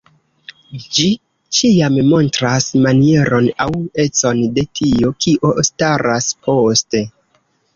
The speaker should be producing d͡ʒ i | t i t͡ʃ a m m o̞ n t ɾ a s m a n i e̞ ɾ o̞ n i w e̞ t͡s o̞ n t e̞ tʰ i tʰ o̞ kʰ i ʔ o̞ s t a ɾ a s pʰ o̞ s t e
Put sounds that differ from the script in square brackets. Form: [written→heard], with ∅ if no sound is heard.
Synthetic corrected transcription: d͡ʒ i | [t→t͡ʃ] i [t͡ʃ→∅] a m m o̞ n t ɾ a s m a n i e̞ ɾ o̞ n [i→a] w e̞ t͡s o̞ n [t→d] e̞ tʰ i [tʰ→∅] o̞ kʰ i ʔ o̞ s t a ɾ a s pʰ o̞ s t e